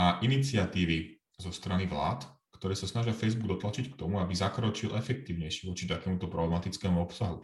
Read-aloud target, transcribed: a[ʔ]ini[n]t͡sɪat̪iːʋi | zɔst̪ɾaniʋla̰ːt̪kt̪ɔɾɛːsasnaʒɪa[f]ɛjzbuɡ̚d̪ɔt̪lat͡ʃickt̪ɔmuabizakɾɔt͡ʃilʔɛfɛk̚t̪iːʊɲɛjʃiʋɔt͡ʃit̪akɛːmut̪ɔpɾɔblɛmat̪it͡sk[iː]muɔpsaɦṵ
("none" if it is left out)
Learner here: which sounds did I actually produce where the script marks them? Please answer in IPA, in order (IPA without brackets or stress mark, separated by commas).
ʔ, none, f, ɛː